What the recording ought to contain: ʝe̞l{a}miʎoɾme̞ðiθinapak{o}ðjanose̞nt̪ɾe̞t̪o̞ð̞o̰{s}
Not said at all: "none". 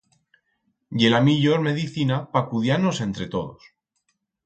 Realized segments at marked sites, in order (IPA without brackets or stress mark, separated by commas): a, u, s